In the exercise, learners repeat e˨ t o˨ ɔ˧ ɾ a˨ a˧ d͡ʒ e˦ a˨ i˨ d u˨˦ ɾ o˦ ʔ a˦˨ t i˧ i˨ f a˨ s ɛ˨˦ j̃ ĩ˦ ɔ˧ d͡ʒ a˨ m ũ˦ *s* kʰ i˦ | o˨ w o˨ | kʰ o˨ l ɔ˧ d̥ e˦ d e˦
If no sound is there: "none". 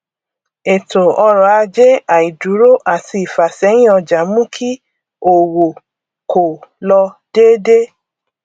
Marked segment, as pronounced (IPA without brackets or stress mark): none